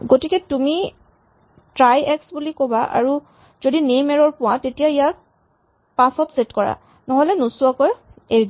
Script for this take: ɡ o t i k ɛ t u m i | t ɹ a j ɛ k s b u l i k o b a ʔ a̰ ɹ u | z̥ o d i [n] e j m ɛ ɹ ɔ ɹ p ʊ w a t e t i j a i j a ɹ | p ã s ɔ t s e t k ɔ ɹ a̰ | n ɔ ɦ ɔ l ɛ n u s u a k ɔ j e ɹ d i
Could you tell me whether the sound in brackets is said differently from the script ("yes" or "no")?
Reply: no